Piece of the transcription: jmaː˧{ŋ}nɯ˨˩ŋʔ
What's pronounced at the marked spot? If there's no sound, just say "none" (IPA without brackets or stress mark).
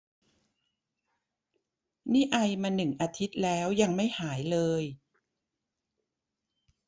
none